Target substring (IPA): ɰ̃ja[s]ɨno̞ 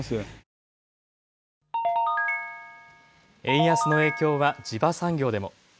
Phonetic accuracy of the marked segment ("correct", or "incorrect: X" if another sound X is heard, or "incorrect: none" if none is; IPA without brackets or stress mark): correct